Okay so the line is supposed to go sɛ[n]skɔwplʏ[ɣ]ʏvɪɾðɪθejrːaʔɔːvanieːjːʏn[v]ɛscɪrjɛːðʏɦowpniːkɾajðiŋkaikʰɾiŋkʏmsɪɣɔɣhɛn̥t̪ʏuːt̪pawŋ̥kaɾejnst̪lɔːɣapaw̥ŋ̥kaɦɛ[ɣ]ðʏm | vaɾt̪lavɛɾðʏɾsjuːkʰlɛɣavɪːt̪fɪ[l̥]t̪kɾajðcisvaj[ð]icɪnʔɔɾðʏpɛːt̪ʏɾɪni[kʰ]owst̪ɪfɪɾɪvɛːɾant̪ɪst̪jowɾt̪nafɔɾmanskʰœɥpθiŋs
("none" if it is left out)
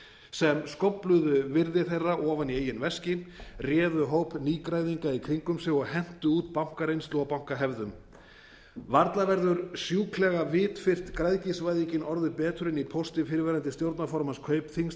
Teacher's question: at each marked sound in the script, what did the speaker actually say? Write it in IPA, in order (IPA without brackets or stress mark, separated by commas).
m, ð, v, v, r̥, ð, pʰ